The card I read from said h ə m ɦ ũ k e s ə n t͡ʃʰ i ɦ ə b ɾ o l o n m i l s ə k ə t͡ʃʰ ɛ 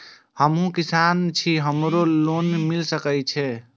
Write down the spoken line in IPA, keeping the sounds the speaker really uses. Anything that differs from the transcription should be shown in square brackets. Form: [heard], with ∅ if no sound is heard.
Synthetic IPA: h ə m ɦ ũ k [i] s [a] n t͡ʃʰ i ɦ ə [m] ɾ o l o n m i l s ə k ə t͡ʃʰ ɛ